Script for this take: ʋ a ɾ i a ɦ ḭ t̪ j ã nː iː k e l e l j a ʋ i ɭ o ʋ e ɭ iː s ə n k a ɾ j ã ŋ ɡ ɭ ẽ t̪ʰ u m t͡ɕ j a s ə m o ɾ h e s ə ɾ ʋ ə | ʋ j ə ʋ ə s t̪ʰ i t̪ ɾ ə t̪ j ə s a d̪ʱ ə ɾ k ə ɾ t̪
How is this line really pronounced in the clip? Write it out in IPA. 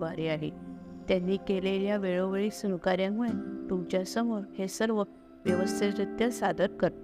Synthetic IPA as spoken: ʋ a ɾ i a ɦ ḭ t̪ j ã nː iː k e l e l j a ʋ e ɭ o ʋ e ɭ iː s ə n k a ɾ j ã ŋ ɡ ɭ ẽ t̪ u m t͡ɕ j a s ə m o ɾ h e s ə ɾ ʋ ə | ʋ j ə ʋ ə s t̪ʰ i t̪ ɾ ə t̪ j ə s a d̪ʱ ə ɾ k ə ɾ t̪